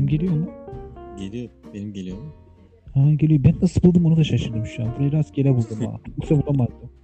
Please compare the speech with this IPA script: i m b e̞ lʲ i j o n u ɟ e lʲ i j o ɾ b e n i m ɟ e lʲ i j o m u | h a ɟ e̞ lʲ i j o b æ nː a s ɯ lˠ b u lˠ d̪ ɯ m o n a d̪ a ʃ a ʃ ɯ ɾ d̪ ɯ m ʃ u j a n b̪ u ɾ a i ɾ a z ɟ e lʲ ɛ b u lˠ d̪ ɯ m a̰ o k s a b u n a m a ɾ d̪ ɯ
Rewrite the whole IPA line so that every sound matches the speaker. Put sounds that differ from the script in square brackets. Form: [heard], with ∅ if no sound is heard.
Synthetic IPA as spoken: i m [ɟ] e̞ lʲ i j o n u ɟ e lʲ i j o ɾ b e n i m ɟ e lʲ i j o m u | h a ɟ e̞ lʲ i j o b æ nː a s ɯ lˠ b u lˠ d̪ ɯ m o n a d̪ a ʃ a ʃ ɯ ɾ d̪ ɯ m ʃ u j a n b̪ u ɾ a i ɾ a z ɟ e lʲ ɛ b u lˠ d̪ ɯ m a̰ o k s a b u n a m a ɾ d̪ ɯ